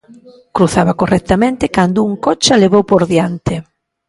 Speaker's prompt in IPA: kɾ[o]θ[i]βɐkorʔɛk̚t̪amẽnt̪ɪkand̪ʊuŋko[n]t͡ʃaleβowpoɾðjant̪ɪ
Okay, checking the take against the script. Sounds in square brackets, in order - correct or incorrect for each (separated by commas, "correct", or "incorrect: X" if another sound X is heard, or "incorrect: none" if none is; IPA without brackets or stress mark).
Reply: incorrect: u, incorrect: a, incorrect: none